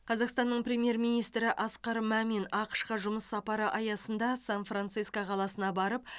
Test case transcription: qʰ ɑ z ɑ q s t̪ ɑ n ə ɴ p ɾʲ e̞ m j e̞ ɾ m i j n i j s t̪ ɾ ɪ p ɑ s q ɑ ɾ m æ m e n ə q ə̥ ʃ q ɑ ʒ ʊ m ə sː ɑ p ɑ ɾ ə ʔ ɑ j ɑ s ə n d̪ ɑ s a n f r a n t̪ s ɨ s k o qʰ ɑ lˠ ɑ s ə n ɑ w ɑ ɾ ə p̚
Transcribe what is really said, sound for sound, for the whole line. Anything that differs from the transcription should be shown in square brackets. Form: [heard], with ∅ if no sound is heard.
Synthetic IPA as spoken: qʰ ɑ z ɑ q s t̪ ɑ [nː] ə ɴ p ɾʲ e̞ m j e̞ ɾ m i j n i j s t̪ ɾ ɪ [ʔ] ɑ s q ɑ ɾ m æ m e n [ɑ] q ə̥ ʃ q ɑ ʒ ʊ m ə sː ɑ p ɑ ɾ ə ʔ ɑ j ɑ s ə n d̪ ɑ s a n f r a n t̪ s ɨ s k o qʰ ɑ lˠ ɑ s ə n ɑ [b] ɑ ɾ ə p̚